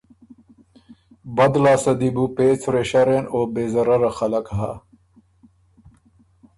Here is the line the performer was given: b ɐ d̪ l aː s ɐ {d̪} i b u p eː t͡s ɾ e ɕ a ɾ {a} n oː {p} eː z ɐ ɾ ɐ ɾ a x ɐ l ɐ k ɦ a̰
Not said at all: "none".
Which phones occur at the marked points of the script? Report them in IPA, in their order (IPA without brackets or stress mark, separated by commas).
d̪, e, b